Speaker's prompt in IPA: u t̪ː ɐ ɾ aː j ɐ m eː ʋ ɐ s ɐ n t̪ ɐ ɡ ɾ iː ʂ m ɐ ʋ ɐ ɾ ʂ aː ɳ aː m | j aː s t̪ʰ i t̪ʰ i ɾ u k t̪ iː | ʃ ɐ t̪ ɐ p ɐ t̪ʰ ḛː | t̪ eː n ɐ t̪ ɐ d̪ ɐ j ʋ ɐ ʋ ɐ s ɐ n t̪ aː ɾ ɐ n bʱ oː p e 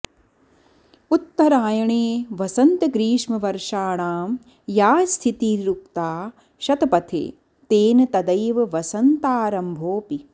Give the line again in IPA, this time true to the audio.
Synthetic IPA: u t̪ː ɐ ɾ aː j ɐ ɳ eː ʋ ɐ s ɐ n t̪ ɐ ɡ ɾ iː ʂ m ɐ ʋ ɐ ɾ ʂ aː ɳ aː m | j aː s t̪ʰ i t̪ i ɾ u k t̪ aː | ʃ ɐ t̪ ɐ p ɐ t̪ʰ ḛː | t̪ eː n ɐ t̪ ɐ d̪ ɐ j ʋ ɐ ʋ ɐ s ɐ n t̪ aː ɾ ɐ m bʱ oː p i